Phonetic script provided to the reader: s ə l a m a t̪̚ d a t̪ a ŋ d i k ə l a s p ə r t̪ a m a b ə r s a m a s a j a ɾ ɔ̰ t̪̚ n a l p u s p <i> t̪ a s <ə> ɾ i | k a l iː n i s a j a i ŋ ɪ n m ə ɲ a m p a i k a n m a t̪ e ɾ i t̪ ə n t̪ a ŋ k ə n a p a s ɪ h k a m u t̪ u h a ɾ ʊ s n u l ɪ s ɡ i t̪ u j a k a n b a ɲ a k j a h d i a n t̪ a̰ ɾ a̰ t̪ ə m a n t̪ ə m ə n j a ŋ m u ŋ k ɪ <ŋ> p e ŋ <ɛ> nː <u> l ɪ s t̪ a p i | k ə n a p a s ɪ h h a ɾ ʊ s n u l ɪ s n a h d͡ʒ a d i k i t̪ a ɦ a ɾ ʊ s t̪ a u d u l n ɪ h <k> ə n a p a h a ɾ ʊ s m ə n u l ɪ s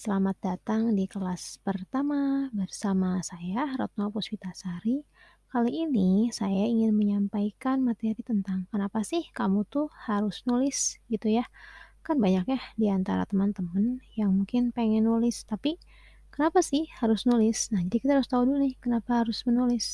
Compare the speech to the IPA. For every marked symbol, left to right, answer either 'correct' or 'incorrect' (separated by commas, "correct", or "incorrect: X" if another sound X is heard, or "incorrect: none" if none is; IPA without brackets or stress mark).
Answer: correct, incorrect: a, incorrect: n, correct, correct, correct